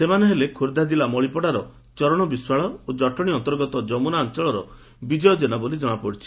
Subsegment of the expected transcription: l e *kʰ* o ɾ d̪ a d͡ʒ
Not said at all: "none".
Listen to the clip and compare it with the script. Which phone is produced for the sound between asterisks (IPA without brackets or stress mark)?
kʰ